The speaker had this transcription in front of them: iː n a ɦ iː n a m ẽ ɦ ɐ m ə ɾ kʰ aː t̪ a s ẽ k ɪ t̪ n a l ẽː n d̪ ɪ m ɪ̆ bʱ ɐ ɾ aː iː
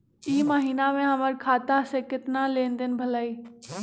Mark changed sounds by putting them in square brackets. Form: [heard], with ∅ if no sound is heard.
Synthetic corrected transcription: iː [m] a ɦ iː n a m ẽ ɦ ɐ m ə ɾ kʰ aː t̪ a s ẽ k ɪ t̪ n a l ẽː n d̪ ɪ [n] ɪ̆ bʱ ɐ [l] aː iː